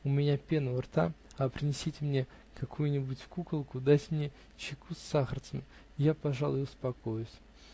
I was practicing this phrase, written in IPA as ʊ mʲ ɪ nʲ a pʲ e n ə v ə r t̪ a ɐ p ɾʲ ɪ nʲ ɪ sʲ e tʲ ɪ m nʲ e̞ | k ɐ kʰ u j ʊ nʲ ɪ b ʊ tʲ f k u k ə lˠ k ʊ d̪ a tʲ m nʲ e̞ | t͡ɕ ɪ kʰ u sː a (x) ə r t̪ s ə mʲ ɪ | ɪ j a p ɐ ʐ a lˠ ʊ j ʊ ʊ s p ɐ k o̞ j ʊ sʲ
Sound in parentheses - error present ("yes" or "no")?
no